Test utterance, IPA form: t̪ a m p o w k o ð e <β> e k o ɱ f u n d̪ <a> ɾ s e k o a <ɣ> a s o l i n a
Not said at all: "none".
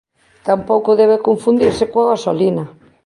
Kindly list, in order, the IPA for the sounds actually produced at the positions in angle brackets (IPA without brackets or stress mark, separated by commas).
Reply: β, i, ɣ